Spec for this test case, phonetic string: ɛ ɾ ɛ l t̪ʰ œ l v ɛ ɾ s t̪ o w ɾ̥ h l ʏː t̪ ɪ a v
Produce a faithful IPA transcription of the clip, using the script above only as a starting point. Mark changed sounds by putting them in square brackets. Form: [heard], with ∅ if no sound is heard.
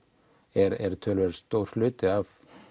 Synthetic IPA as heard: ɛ ɾ ɛ [ɾ] t̪ʰ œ l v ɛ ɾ s t̪ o w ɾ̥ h l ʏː t̪ ɪ a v